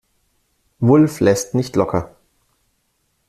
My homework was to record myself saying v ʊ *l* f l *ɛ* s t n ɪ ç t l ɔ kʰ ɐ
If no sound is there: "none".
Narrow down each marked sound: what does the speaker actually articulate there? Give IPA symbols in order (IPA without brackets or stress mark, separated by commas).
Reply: l, ɛ